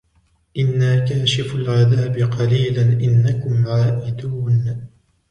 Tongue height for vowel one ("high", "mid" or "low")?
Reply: high